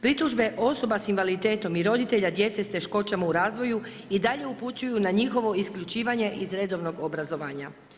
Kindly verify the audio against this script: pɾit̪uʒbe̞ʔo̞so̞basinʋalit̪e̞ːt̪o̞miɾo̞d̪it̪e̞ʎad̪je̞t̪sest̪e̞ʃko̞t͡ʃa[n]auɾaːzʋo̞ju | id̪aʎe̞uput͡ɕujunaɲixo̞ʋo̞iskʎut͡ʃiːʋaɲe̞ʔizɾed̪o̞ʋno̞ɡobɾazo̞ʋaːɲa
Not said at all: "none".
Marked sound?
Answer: m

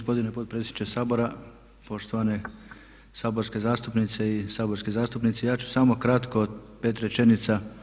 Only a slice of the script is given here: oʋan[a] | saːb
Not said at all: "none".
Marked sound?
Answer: e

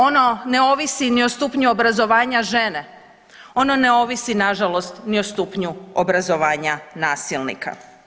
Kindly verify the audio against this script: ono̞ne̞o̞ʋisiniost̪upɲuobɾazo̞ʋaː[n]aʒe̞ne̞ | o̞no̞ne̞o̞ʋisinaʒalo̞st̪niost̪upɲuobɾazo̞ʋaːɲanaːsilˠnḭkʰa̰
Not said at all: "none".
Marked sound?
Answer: ɲ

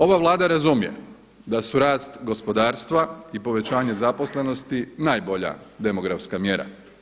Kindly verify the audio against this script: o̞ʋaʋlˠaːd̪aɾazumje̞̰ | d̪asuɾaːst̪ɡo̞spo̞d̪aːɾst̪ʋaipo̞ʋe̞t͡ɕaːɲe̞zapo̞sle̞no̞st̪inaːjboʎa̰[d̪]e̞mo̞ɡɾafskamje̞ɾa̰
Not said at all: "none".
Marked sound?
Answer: d̪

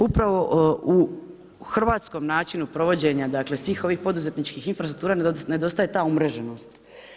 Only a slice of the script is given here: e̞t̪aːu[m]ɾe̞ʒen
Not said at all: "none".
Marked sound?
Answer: m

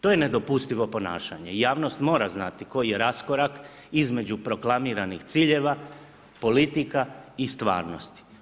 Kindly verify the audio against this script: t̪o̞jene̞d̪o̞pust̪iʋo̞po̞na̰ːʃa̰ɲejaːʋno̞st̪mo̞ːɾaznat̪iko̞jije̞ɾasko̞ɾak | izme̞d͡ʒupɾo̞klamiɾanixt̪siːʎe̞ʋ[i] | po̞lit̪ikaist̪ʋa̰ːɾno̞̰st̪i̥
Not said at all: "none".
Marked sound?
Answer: a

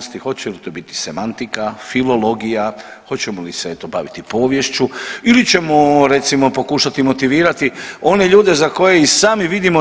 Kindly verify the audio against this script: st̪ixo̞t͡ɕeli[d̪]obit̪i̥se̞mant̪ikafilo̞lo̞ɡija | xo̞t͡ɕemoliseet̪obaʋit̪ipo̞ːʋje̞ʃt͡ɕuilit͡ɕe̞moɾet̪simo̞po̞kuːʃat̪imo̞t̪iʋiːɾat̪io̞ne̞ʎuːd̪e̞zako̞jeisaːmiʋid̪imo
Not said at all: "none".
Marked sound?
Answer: t̪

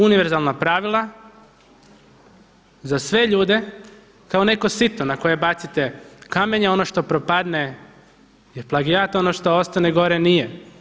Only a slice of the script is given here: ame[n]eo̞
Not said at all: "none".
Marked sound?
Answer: ɲ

